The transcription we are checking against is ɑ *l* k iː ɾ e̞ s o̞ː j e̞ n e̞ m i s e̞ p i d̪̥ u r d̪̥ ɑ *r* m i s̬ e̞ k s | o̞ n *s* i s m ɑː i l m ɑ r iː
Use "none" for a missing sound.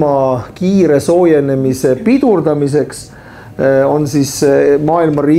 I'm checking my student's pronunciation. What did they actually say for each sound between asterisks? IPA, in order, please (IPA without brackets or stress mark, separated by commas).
none, none, s